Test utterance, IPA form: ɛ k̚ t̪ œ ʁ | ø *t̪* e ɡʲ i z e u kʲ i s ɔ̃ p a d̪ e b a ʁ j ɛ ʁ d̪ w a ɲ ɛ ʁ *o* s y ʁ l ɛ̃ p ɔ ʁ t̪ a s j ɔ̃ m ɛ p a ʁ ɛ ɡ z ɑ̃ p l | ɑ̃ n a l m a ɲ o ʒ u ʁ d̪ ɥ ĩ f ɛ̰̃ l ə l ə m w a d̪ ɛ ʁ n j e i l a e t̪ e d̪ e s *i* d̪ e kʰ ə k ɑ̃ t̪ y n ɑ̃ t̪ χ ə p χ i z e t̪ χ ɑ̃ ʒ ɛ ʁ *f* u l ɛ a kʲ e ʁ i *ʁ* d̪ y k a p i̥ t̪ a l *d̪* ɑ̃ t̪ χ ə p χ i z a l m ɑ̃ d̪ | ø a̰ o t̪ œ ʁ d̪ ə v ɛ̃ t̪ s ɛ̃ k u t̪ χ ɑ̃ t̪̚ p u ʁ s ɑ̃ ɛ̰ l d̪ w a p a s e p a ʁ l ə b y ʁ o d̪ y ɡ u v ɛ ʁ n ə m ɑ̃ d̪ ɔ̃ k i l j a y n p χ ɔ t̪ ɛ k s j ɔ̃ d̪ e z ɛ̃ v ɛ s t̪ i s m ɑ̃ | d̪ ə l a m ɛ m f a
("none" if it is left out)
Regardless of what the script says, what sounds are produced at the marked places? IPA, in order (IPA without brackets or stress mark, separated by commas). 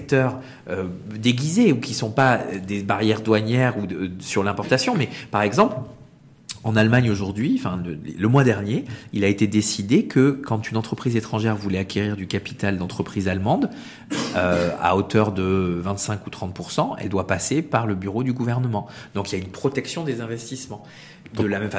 d̪, u, i, v, ʁ, d̪